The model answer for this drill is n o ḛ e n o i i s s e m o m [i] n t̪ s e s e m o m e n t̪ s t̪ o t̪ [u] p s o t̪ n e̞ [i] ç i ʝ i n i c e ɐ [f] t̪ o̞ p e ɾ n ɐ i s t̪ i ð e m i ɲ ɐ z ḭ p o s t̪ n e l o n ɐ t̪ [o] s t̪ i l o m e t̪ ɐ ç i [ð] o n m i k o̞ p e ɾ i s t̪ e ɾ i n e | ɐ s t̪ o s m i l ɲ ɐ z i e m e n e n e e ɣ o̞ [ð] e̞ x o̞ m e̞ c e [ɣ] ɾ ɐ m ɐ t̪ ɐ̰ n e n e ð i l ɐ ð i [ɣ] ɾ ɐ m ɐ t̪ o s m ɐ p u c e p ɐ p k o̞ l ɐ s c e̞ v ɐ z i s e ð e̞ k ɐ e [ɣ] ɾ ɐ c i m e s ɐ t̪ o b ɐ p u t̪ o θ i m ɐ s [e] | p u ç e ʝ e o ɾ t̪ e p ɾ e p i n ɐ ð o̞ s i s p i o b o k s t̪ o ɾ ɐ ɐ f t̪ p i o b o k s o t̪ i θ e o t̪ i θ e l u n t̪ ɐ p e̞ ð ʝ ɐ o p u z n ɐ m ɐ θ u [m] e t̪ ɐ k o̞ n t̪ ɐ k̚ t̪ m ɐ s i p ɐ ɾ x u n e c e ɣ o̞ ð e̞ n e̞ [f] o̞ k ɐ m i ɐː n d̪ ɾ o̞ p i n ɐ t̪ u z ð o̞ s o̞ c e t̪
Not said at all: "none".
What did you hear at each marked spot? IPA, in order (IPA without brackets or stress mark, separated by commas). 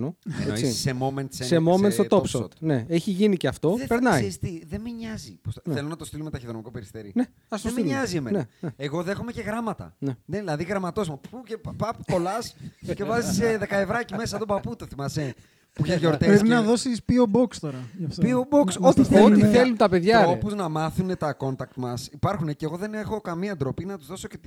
e, o, e, f, o, ð, ð, ɣ, ɣ, v, e, n, x